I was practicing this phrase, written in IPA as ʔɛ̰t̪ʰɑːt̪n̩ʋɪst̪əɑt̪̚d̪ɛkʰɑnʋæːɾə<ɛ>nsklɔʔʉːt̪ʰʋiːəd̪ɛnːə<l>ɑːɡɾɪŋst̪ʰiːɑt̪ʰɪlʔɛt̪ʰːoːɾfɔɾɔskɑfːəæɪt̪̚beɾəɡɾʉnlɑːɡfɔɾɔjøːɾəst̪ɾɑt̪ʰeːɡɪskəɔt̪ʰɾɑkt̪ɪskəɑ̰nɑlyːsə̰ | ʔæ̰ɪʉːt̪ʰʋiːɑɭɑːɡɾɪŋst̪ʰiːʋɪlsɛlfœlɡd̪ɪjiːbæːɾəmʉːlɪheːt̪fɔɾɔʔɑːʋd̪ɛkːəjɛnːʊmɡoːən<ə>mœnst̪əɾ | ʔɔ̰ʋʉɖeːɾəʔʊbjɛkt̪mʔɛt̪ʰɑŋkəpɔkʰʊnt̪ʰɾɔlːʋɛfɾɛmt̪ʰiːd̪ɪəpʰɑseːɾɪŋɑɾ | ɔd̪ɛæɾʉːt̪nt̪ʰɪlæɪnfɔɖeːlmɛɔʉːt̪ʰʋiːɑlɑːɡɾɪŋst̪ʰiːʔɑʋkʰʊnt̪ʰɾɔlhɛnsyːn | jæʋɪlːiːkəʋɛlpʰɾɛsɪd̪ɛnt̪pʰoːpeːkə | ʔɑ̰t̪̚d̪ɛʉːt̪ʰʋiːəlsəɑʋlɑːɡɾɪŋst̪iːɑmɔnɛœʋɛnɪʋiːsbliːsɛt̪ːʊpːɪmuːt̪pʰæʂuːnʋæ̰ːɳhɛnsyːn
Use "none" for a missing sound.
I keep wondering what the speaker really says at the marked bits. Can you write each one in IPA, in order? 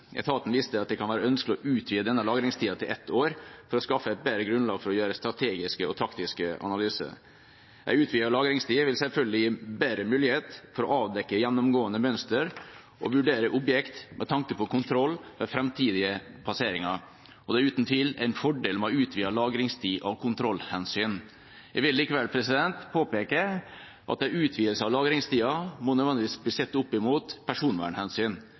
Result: œ, l, ə

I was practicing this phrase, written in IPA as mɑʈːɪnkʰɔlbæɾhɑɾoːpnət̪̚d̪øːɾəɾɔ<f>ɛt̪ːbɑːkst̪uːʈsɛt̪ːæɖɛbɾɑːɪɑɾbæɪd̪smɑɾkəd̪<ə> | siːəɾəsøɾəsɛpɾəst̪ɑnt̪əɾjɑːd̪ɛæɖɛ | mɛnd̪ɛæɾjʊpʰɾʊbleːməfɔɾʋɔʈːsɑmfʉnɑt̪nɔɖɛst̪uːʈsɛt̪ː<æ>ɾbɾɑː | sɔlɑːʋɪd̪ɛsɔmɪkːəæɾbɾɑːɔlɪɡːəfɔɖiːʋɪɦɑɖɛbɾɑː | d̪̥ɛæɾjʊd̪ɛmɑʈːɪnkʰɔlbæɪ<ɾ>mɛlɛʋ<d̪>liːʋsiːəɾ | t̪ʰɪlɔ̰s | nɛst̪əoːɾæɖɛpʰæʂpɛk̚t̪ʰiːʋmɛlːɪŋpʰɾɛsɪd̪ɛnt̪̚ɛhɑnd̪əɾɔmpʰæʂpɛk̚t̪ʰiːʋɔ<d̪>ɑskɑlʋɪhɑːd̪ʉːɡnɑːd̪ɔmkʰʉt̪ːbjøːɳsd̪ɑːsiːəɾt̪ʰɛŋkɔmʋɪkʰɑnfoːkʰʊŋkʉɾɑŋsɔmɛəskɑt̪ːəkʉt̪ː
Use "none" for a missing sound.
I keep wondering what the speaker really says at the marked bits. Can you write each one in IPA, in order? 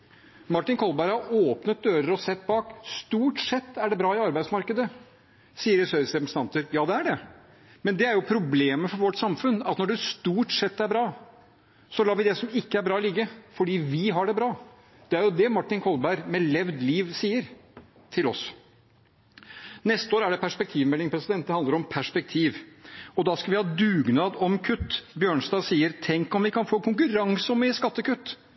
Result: s, ə, æ, ɾ, d̪, d̪

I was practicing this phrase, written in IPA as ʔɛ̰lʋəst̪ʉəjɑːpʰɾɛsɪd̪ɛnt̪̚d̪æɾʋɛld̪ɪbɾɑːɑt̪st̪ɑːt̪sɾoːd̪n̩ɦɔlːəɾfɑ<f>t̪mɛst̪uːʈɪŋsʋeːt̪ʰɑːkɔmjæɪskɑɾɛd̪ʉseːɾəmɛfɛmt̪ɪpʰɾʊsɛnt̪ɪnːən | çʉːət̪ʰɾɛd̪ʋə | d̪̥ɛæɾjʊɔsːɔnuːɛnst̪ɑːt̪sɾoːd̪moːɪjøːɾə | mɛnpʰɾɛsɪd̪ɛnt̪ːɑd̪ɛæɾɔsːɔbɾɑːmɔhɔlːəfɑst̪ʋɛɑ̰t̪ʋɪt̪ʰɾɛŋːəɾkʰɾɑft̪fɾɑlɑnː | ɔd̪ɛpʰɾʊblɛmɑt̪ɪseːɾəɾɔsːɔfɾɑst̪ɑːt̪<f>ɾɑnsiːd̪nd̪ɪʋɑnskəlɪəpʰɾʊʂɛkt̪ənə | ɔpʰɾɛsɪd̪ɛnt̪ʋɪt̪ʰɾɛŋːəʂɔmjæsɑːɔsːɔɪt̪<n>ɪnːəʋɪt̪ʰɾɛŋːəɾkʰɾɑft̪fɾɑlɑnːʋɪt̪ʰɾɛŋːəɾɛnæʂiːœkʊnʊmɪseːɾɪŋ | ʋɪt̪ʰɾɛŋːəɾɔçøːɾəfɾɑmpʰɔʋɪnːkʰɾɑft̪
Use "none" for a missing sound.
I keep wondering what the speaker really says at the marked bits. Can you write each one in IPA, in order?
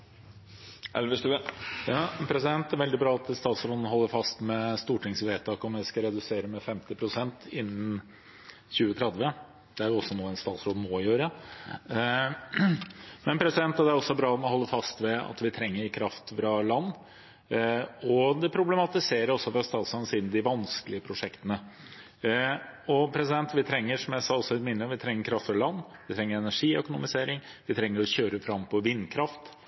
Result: s, s, m

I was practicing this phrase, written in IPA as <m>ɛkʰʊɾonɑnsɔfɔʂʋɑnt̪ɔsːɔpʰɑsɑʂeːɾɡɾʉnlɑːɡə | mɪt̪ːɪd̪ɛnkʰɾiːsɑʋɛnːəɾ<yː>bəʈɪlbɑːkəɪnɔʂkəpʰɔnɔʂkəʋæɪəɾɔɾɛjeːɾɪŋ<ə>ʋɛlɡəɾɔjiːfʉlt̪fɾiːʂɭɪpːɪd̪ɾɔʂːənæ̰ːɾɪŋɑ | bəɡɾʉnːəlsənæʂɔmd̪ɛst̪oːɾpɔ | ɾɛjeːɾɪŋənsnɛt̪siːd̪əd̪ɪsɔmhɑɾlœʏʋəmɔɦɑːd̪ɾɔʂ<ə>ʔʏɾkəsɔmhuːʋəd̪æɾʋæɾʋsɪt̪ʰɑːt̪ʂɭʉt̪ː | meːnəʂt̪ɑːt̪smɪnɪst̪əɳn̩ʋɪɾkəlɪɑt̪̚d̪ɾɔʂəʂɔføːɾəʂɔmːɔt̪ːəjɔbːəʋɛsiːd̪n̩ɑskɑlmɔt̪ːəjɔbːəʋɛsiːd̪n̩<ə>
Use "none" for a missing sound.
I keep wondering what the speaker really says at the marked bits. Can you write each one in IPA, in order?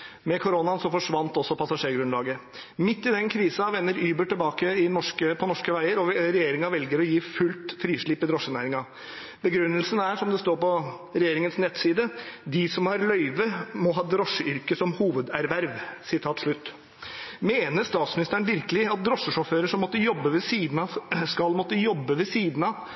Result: m, yː, ɑ, ə, ɑ

